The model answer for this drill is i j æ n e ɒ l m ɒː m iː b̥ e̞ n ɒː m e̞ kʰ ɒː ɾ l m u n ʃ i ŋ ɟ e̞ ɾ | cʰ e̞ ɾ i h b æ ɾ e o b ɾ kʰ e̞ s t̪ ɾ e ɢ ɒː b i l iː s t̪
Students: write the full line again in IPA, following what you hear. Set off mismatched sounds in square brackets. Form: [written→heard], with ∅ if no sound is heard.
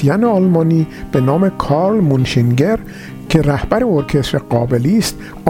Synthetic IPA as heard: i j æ n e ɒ l m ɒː [m→n] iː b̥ e̞ n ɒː m e̞ kʰ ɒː ɾ l m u n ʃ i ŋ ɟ e̞ ɾ | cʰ e̞ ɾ [i→æ] h b æ ɾ e o [b→∅] ɾ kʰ e̞ s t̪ ɾ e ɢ ɒː b [i→e] l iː s t̪